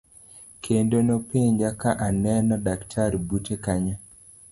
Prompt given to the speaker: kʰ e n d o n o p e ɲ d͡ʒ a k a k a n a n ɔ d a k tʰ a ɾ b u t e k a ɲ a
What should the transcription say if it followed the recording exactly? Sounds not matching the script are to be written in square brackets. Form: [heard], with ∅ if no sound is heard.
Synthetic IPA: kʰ e n d o n o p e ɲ d͡ʒ a k a [ʔ] a n [ɛ] n ɔ d a k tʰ a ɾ b u t e k a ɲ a